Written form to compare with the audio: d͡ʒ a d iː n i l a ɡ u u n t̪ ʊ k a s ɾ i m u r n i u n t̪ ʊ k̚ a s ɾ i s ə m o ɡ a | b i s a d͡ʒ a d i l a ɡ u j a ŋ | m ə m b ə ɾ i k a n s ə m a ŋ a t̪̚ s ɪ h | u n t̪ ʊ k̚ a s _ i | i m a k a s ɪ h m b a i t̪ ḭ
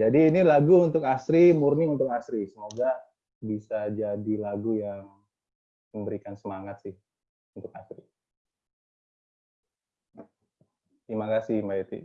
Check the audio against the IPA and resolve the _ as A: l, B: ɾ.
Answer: B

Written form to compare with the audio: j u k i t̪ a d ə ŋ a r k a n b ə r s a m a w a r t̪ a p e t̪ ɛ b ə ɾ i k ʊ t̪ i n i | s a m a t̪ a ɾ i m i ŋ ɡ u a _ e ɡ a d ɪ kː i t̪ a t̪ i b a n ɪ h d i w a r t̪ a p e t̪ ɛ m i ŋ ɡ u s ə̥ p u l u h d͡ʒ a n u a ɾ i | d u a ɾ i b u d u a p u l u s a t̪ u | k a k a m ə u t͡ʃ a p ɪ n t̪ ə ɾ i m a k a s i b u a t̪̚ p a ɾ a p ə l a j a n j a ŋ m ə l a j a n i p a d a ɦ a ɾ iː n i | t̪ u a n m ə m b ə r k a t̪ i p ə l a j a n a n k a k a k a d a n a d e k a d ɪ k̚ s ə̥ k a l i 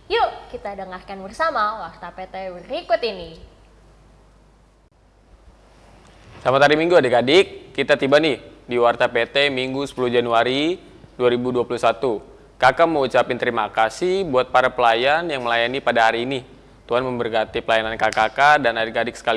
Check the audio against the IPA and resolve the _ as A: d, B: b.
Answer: A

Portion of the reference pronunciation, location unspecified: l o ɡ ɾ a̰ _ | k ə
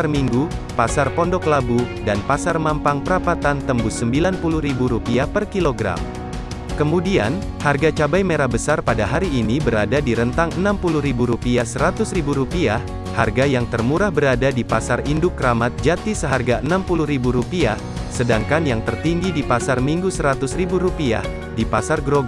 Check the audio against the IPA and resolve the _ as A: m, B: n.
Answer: A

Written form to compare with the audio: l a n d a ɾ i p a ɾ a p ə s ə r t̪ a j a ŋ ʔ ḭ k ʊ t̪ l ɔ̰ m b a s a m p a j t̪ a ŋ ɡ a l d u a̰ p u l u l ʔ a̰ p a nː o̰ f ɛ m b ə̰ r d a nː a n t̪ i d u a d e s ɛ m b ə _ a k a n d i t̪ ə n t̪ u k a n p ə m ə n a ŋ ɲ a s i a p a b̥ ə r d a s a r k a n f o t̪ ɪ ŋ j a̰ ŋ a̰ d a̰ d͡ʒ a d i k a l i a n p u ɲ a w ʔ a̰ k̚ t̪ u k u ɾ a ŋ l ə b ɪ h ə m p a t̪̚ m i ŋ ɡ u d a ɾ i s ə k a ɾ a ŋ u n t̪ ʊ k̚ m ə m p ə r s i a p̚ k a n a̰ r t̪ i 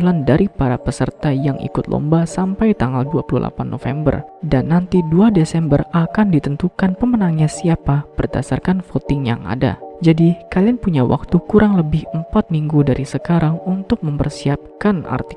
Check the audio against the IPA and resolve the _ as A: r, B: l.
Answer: A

